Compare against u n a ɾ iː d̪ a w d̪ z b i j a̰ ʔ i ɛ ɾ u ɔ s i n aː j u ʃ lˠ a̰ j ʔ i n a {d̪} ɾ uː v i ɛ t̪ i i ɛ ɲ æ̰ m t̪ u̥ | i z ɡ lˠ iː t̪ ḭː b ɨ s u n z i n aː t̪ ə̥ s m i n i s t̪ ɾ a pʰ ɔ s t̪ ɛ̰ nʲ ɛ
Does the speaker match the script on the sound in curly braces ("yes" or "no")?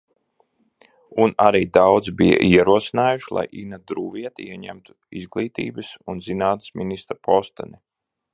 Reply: yes